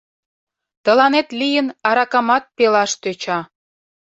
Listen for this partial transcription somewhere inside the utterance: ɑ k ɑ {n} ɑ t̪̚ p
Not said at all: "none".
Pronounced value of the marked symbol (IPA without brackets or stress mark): m